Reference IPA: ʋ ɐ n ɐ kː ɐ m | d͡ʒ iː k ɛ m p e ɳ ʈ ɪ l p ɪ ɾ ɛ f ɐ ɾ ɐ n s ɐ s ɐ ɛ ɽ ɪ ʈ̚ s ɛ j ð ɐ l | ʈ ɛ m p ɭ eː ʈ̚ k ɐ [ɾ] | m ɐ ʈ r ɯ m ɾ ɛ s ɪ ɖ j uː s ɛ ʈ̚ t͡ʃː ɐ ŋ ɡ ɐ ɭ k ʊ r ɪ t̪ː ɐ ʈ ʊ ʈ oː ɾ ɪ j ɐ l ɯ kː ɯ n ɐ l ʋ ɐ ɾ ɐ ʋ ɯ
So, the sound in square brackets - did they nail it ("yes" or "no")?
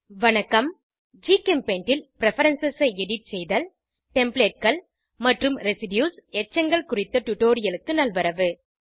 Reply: no